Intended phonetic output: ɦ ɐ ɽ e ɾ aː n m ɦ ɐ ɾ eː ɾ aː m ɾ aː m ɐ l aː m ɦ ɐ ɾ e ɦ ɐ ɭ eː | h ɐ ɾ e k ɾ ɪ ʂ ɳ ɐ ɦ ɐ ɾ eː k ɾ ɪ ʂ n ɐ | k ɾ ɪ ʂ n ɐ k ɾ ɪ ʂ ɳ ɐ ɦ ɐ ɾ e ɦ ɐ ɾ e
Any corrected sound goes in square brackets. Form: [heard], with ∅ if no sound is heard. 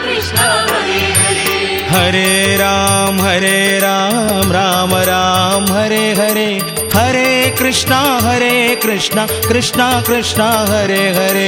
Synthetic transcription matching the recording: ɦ ɐ [ɾ] e ɾ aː [∅] m ɦ ɐ ɾ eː ɾ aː m ɾ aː m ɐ [ɾ] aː m ɦ ɐ ɾ e ɦ ɐ [ɾ] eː | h ɐ ɾ e k ɾ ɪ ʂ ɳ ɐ ɦ ɐ ɾ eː k ɾ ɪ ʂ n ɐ | k ɾ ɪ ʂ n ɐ k ɾ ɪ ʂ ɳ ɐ ɦ ɐ ɾ e ɦ ɐ ɾ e